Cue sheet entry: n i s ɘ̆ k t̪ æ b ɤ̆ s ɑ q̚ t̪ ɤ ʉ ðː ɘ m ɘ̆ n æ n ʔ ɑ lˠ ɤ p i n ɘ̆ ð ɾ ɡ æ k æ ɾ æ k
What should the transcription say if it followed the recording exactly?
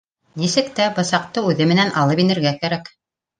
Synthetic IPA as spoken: n i s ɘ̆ k t̪ æ b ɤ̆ s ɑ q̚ t̪ ɤ ʉ ð ɘ m ɘ̆ n æ n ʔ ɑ lˠ ɤ p i n ɘ̆ ɾ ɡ æ k æ ɾ æ k